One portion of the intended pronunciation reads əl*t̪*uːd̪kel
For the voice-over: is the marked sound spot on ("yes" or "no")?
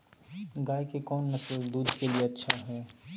no